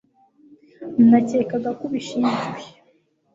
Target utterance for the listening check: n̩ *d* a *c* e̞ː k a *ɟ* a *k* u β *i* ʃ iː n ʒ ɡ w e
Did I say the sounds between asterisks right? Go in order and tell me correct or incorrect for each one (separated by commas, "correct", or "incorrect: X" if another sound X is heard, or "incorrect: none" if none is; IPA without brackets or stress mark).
incorrect: n, correct, incorrect: ɡ, correct, correct